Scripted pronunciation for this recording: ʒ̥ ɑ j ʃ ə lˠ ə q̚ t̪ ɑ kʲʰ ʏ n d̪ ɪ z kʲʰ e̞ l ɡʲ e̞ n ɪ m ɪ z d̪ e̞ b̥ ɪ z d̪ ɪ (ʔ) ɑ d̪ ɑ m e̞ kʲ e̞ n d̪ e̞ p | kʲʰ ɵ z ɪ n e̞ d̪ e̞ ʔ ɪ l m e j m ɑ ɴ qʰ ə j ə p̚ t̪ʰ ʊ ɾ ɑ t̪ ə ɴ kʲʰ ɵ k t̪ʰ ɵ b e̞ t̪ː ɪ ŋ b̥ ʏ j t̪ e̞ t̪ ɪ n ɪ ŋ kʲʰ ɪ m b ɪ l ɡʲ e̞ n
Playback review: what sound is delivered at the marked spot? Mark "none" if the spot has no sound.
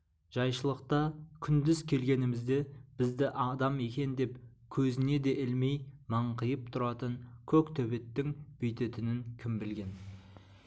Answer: ʔ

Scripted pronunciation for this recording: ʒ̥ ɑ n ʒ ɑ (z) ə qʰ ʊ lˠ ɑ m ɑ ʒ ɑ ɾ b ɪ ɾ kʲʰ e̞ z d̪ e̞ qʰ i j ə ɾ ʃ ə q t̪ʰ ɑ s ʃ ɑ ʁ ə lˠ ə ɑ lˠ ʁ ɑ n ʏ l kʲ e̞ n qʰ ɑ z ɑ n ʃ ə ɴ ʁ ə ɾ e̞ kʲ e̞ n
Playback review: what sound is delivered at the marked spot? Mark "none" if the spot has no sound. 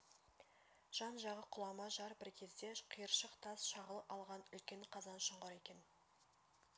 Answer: ʁ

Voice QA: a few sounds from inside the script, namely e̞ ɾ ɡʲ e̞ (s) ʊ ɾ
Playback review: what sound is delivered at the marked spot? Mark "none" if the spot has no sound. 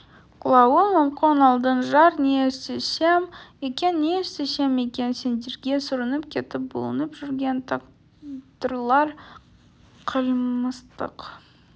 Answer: s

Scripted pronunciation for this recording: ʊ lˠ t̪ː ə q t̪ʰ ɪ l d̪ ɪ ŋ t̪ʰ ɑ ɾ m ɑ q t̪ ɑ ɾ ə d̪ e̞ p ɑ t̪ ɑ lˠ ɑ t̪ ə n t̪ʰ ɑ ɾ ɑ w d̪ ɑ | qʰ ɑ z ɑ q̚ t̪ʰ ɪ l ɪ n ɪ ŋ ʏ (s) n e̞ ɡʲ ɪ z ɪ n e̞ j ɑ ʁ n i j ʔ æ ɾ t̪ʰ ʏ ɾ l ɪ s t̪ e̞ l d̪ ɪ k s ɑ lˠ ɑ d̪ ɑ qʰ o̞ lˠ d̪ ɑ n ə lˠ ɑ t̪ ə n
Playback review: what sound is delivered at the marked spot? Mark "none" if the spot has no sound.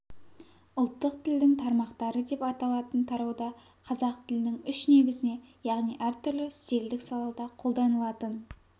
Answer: ʃ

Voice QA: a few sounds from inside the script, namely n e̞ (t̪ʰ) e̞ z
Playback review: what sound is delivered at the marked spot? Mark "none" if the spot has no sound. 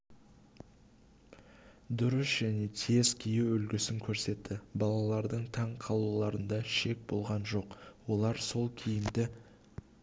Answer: t̪ʰ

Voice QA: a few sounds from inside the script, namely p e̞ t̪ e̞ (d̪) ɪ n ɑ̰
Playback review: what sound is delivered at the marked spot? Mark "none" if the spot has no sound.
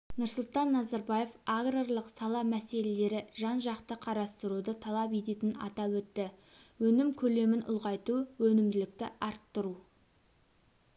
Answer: t̪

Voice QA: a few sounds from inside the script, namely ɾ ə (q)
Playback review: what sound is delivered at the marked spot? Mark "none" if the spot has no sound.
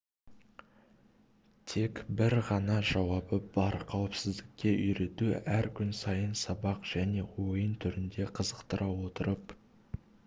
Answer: p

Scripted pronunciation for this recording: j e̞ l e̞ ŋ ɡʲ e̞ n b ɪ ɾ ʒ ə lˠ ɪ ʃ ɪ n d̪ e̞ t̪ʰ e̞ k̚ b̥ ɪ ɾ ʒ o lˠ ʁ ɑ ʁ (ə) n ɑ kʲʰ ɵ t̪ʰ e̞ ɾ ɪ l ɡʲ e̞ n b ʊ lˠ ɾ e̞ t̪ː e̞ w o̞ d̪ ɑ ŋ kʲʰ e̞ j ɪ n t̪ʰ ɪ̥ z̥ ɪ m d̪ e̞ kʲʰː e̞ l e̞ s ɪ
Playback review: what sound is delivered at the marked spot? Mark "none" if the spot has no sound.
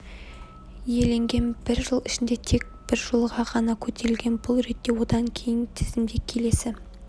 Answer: ɑ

